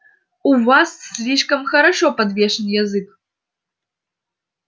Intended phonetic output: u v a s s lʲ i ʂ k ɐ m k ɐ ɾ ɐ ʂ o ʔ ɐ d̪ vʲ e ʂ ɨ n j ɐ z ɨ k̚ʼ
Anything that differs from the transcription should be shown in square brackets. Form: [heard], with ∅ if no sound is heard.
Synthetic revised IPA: u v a s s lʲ i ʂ k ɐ m [x] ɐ ɾ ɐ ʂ o [p] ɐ d̪ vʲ e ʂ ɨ n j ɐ z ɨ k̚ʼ